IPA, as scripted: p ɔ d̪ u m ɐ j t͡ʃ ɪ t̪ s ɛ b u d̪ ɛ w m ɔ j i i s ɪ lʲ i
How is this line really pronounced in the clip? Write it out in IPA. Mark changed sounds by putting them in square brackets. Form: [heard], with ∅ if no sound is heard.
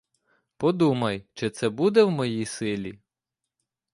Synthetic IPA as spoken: p ɔ d̪ u m ɐ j t͡ʃ ɪ t̪ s ɛ b u d̪ ɛ w m ɔ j i [j] s ɪ lʲ i